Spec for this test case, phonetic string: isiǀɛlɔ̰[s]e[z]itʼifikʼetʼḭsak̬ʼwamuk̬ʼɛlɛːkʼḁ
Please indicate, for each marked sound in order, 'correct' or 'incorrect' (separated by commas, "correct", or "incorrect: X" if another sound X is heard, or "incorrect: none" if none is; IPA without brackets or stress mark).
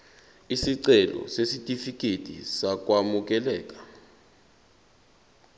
correct, incorrect: s